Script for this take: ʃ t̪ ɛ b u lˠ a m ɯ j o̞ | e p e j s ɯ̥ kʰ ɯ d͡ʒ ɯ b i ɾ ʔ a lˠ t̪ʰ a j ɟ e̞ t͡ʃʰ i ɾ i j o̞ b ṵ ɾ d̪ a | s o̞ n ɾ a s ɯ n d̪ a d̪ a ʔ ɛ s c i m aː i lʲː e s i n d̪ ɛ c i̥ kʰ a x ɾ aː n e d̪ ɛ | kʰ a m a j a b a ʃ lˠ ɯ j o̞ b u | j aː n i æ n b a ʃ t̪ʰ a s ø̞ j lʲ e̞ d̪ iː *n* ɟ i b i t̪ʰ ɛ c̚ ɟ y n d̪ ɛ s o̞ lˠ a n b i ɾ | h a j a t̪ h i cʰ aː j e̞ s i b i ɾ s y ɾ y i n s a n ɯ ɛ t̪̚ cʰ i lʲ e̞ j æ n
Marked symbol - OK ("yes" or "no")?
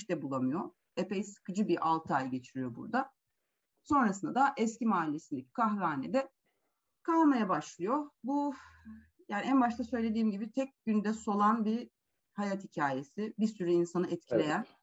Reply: no